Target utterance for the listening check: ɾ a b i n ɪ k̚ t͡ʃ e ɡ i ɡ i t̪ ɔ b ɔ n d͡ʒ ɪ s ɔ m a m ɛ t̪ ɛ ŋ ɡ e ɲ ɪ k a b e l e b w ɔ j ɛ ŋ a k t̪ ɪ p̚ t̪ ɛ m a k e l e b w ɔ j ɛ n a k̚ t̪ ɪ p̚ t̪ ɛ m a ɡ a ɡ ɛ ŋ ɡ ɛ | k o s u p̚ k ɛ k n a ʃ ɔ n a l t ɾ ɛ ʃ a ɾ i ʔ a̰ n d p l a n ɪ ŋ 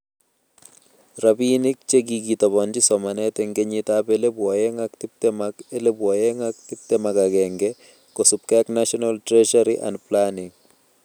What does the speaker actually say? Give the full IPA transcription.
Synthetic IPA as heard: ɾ a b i n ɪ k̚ t͡ʃ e ɡ i ɡ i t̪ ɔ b ɔ n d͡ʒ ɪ s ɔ m a n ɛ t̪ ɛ ŋ ɡ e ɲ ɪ t a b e l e b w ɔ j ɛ ŋ a k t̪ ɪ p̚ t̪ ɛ m a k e l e b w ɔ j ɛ ŋ a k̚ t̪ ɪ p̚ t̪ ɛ m a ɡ a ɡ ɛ ŋ ɡ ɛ | k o s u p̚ k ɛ k n a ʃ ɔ n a l t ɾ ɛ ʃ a ɾ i ʔ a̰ n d p l a n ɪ ŋ